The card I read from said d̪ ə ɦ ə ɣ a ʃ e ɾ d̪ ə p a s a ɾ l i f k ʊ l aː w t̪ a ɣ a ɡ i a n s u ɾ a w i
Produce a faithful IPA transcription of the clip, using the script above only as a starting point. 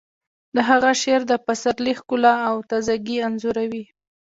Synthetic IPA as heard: d̪ ə ɦ a ɣ a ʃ e ɾ d̪ ə p a s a ɾ l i x k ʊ l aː w t̪ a z a ɡ i a n z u ɾ a w i